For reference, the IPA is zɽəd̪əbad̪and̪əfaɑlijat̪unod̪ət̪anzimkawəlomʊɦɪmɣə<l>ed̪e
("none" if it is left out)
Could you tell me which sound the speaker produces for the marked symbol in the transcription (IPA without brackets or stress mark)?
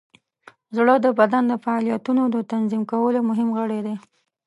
ɽ